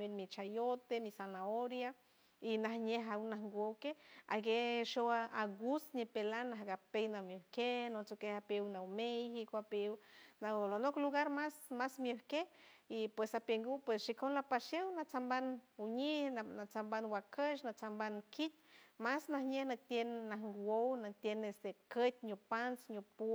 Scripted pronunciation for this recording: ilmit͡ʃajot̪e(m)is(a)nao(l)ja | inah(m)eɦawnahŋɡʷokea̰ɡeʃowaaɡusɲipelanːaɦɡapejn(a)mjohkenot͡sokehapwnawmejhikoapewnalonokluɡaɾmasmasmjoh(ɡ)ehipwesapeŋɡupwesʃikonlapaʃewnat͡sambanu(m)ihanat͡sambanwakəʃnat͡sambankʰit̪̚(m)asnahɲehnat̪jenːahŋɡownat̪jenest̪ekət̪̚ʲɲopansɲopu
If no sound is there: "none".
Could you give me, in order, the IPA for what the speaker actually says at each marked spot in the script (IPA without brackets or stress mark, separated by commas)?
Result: m, a, ɾ, ɲ, a, k, ɲ, m